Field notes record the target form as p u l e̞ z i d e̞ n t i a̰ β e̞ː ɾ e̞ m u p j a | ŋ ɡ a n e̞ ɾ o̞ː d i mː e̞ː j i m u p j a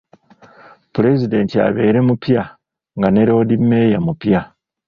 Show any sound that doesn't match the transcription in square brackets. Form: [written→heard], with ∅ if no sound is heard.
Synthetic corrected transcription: p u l e̞ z i d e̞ n t i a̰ β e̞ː ɾ e̞ m u p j a | ŋ ɡ a n e̞ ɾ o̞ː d i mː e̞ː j [i→a] m u p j a